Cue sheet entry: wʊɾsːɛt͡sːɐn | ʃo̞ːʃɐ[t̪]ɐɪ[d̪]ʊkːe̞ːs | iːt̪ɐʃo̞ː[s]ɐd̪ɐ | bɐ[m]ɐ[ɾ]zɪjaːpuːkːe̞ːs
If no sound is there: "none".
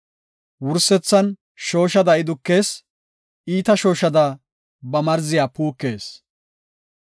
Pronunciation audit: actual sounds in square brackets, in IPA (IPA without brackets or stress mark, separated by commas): d̪, d̪, ʃ, m, ɾ